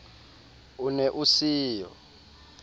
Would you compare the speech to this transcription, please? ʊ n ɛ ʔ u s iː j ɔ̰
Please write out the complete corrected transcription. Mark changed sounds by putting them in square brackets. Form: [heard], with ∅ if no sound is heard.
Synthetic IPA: [u] n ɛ ʔ u s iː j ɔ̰